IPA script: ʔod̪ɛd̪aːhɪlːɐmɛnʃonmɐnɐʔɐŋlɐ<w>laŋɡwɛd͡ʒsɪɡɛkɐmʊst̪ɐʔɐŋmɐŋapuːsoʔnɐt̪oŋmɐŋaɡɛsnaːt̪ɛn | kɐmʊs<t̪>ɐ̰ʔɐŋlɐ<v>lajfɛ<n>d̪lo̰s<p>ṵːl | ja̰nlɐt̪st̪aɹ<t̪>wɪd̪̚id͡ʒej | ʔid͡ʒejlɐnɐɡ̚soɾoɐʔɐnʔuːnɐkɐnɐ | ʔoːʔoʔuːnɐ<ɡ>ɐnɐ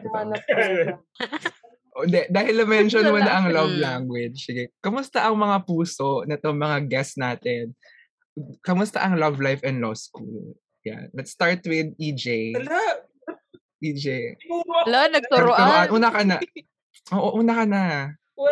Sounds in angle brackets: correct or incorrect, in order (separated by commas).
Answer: incorrect, correct, correct, correct, incorrect, correct, incorrect